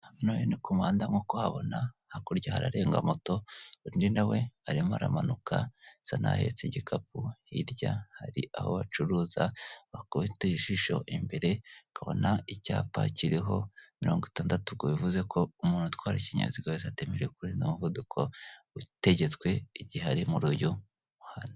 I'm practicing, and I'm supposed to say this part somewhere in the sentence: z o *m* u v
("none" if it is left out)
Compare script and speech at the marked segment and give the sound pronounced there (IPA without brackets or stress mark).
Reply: m